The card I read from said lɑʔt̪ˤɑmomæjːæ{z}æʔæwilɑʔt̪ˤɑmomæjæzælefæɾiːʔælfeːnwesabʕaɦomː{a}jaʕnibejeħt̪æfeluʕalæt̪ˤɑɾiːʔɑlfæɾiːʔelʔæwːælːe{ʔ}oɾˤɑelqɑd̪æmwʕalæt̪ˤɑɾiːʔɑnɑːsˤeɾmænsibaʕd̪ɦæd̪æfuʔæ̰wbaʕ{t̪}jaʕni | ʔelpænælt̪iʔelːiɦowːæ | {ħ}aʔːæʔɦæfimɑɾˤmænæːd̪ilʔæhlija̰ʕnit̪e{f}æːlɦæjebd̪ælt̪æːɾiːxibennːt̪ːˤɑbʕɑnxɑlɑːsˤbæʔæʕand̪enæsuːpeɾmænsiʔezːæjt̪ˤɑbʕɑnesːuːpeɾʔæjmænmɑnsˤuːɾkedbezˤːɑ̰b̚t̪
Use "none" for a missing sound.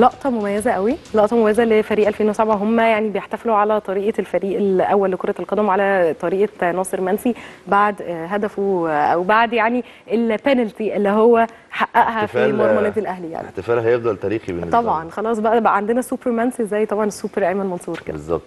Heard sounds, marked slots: z, æ, k, d̪, ħ, f

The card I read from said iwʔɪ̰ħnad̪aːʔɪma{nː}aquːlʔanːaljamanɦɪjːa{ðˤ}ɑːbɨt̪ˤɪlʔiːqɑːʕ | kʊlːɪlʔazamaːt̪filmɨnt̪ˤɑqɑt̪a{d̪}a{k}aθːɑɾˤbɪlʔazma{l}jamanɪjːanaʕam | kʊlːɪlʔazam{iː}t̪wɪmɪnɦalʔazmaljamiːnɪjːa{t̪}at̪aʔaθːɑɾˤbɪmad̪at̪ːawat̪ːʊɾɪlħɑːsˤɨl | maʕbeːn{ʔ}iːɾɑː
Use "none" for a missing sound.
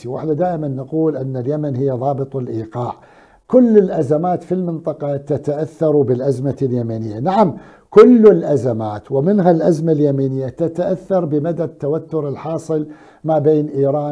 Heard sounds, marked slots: nː, ðˤ, t̪, ʔ, l, aː, t̪, ʔ

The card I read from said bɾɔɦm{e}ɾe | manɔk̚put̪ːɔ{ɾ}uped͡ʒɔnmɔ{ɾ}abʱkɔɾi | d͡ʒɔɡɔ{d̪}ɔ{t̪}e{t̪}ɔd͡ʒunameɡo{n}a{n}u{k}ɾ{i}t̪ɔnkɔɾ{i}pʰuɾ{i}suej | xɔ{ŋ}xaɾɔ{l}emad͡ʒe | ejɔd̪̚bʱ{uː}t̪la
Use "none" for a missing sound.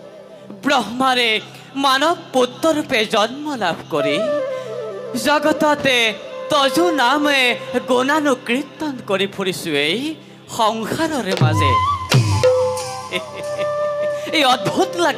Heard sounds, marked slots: a, ɾ, l, t̪, t̪, t̪, n, n, k, i, i, i, ŋ, ɾ, u

